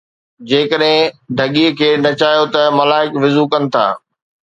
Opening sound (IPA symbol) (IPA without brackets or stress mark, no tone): d͡ʑ